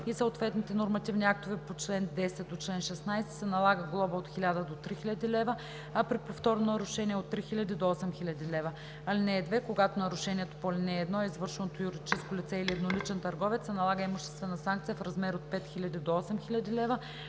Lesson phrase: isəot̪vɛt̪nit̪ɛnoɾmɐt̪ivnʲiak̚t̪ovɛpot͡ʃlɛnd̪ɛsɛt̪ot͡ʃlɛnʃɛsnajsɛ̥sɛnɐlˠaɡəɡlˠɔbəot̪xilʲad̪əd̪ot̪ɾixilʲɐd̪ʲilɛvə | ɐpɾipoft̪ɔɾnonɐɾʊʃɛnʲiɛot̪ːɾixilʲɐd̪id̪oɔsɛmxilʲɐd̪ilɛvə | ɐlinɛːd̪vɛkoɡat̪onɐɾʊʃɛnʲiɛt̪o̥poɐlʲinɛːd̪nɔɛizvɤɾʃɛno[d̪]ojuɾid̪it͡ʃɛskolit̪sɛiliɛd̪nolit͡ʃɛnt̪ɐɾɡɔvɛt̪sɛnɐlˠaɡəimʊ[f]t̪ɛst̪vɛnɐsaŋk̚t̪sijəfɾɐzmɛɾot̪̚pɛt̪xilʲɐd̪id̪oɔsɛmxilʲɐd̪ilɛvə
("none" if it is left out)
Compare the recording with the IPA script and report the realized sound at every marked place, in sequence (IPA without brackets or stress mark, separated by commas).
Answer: t̪, ʃ